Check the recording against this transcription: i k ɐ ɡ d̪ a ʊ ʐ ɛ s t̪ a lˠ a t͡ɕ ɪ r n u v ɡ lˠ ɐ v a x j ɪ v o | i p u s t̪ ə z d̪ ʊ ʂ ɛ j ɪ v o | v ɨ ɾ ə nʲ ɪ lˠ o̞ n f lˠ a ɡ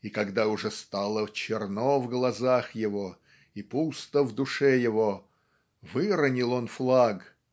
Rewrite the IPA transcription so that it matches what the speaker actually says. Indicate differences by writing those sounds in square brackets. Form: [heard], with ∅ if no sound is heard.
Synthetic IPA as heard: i k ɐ ɡ d̪ a ʊ ʐ ɛ s t̪ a lˠ [ə] t͡ɕ ɪ r n [o] v ɡ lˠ ɐ [z] a x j ɪ v o | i p u s t̪ ə [v] d̪ ʊ ʂ ɛ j ɪ v o | v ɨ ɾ ə nʲ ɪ lˠ o̞ n f lˠ a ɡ